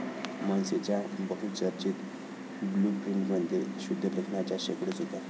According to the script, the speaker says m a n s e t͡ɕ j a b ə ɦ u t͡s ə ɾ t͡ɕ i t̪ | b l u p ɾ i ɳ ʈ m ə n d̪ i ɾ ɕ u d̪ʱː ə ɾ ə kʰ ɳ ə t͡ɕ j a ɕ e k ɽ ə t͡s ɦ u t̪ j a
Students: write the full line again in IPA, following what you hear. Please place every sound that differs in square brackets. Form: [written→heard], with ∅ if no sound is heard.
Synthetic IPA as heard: m a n s e t͡ɕ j a b ə ɦ u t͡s ə ɾ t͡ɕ i t̪ | b l u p ɾ i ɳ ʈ m ə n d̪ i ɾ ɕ u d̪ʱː ə [ɾ→l] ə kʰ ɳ [ə→a] t͡ɕ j a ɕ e k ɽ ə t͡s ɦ [u→o] t̪ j a